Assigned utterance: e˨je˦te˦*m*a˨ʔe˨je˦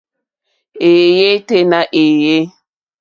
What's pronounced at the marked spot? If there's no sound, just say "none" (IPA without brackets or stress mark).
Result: n